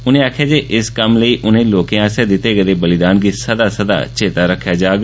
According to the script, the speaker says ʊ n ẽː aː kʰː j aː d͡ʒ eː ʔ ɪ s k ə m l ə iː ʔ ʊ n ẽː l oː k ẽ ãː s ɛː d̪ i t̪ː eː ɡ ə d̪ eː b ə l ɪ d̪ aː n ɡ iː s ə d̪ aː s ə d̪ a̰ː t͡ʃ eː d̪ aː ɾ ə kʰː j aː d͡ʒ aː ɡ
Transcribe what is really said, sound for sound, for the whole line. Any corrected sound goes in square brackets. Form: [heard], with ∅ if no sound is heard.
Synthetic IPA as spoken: ʊ n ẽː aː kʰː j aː d͡ʒ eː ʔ ɪ s k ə m l ə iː ʔ ʊ n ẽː l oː k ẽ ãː s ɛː d̪ [ɪ] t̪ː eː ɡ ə d̪ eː b ə l ɪ d̪ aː n ɡ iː s ə d̪ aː s ə d̪ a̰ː t͡ʃ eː [t̪] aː ɾ ə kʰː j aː d͡ʒ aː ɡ